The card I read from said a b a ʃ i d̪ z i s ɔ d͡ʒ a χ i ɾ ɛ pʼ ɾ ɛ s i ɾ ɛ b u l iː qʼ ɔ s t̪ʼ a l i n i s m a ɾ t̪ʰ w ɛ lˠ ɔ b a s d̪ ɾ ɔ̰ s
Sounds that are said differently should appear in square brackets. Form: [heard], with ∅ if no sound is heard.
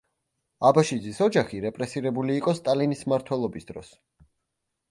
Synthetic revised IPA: a b a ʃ i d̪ z i s ɔ d͡ʒ a χ i ɾ ɛ pʼ ɾ ɛ s i ɾ ɛ b u l iː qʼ ɔ s t̪ʼ a l i n i s m a ɾ t̪ʰ w ɛ lˠ ɔ b [i] s d̪ ɾ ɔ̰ s